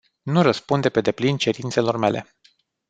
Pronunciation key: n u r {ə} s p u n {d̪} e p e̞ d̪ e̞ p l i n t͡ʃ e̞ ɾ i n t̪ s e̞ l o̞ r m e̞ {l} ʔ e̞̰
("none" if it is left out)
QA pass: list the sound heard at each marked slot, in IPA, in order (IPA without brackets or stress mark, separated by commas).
ə, d̪, l